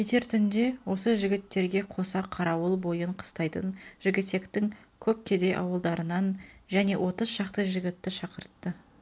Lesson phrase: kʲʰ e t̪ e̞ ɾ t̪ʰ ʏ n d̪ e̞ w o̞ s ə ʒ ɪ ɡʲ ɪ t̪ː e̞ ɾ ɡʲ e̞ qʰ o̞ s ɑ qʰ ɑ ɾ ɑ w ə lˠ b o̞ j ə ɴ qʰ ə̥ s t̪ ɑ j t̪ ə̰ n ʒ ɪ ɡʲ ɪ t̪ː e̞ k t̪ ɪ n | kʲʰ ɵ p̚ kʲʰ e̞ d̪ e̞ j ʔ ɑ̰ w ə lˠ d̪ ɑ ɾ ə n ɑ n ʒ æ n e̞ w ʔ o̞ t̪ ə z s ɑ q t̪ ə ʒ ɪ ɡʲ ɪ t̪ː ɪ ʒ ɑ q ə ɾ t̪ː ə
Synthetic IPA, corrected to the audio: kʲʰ e t̪ e̞ ɾ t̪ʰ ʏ n d̪ e̞ w o̞ s ə ʒ ɪ ɡʲ ɪ t̪ː e̞ ɾ ɡʲ e̞ qʰ o̞ s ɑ qʰ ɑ ɾ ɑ w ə lˠ b o̞ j ə ɴ qʰ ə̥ s t̪ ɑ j t̪ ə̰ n ʒ ɪ ɡʲ ɪ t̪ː e̞ k t̪ ɪ ŋ | kʲʰ ɵ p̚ kʲʰ e̞ d̪ e̞ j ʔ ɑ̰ w ə lˠ d̪ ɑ ɾ ə n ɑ n ʒ æ n e̞ w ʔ o̞ t̪ ə z ʃ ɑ q t̪ ə ʒ ɪ ɡʲ ɪ t̪ː ɪ ʃ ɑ q ə ɾ t̪ː ə